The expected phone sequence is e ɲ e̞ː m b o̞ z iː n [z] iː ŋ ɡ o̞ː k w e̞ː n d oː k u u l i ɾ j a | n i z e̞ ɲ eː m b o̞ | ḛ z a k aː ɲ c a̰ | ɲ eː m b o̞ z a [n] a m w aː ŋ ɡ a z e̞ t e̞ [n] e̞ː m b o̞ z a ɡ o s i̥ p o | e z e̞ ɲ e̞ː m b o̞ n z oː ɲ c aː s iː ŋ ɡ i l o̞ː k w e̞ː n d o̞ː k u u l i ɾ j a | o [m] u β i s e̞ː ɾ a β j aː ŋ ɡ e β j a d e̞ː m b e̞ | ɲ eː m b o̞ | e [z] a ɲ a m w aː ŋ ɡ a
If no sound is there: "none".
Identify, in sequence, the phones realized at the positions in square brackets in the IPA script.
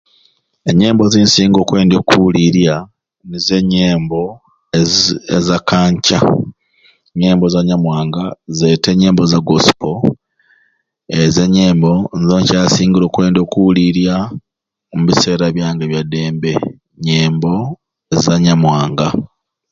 s, ɲ, ɲ, m, z

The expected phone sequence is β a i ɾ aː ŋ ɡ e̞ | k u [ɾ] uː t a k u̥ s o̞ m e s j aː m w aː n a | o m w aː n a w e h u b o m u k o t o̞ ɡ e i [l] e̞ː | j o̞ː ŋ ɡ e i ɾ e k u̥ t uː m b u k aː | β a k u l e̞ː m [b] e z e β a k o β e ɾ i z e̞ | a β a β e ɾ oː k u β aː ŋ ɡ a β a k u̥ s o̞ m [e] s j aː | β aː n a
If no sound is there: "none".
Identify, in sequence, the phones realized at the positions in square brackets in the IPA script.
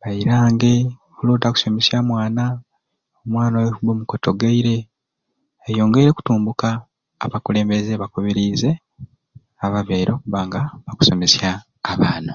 l, ɾ, b, e

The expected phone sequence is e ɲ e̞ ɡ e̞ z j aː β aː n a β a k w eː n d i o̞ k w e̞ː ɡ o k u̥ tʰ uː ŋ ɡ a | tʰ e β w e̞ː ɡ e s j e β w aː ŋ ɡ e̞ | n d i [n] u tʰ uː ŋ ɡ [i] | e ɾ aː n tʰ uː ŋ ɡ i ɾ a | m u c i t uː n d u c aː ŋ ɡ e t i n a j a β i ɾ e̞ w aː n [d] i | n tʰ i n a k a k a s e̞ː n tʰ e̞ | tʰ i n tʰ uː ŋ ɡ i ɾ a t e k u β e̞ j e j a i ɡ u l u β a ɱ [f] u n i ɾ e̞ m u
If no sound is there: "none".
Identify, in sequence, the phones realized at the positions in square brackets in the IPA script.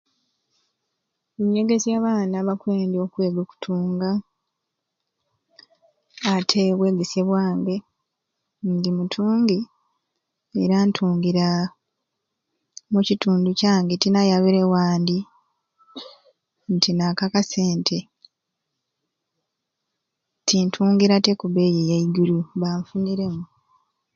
m, i, d, f

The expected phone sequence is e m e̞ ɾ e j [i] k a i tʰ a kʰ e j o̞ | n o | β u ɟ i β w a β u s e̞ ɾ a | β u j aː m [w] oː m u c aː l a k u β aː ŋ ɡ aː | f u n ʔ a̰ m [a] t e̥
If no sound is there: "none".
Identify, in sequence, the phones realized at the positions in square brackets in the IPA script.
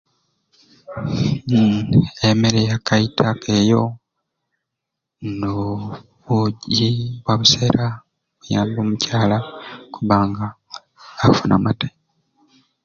a, b, a

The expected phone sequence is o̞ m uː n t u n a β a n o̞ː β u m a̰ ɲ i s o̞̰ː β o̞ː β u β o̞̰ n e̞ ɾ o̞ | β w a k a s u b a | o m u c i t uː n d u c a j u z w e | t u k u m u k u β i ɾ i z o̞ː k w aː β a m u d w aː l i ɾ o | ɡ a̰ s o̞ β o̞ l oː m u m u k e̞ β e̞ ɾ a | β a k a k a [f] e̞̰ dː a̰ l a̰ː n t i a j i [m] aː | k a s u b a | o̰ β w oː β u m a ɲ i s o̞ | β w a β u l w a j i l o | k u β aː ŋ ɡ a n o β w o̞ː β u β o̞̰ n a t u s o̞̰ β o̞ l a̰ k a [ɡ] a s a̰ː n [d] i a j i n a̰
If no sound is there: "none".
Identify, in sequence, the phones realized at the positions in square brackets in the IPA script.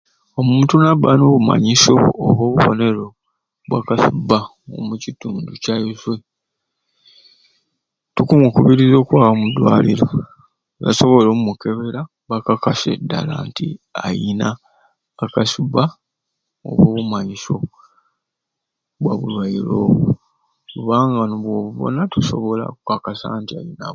s, n, k, t

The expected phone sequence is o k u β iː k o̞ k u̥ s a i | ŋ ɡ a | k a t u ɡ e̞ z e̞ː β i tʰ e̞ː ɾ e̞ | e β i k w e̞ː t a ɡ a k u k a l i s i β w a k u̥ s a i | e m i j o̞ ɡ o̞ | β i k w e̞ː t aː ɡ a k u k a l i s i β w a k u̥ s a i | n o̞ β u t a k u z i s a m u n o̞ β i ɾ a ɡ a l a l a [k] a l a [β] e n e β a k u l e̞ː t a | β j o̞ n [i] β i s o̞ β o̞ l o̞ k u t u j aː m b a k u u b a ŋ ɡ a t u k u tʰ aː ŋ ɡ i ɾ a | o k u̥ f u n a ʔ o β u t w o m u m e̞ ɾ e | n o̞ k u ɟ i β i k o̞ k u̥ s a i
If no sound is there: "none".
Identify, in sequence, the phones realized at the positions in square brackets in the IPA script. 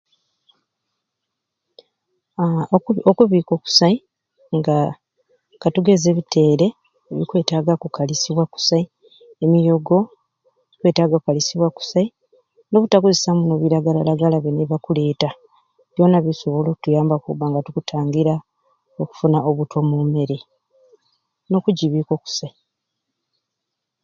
ɡ, β, a

